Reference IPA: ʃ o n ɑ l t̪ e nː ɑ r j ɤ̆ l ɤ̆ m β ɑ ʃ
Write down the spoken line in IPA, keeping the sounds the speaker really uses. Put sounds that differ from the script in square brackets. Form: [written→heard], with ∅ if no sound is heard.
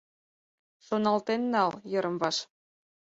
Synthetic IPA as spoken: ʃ o n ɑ l t̪ e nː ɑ [r→l] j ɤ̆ [l→ɾ] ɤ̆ m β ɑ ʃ